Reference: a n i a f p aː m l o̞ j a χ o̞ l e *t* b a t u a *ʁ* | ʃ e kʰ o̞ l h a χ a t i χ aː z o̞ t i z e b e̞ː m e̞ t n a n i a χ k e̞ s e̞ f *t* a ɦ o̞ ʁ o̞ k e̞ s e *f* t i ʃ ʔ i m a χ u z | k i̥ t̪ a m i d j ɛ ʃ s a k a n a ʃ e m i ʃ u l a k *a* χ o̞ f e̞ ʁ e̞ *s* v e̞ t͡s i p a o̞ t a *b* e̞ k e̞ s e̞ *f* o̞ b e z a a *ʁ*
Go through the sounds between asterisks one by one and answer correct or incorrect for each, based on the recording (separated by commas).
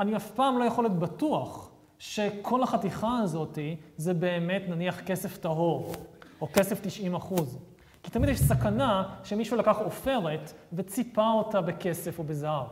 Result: correct, incorrect, correct, correct, correct, incorrect, correct, correct, incorrect